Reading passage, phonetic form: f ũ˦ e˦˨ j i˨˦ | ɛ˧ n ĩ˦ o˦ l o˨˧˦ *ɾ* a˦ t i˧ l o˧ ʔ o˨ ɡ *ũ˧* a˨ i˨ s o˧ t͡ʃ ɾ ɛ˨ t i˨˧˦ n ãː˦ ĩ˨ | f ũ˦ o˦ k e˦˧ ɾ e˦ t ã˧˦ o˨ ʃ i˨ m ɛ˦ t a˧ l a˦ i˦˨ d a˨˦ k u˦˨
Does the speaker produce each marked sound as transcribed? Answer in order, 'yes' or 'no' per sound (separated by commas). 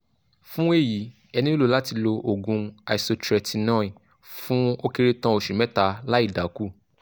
no, yes